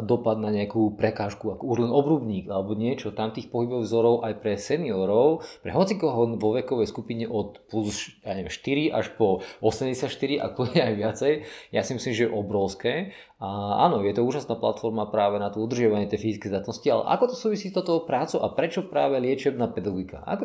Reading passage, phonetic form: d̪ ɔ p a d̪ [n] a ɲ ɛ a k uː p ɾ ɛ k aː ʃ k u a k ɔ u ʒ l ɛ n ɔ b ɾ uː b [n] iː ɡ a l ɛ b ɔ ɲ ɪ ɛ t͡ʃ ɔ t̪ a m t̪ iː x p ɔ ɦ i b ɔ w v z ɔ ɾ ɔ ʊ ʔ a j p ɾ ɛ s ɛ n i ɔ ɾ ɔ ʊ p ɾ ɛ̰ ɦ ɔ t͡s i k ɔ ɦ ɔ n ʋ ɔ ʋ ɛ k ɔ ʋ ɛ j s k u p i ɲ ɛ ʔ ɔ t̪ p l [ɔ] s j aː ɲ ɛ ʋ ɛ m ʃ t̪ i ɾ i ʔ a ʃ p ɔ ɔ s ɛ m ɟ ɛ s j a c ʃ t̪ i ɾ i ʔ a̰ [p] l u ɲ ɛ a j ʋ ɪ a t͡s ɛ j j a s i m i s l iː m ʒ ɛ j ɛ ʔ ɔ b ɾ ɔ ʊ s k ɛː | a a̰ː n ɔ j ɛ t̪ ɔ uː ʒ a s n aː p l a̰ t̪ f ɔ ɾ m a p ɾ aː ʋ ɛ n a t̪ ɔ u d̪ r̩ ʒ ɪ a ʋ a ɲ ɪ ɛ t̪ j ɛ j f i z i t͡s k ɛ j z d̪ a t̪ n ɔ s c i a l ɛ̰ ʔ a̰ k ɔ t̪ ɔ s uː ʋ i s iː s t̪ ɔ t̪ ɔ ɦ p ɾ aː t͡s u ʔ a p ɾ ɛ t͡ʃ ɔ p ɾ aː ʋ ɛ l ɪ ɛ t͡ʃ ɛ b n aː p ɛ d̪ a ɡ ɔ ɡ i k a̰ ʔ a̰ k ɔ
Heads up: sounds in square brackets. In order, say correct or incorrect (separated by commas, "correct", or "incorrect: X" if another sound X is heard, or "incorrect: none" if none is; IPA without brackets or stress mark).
correct, incorrect: ɲ, incorrect: u, incorrect: k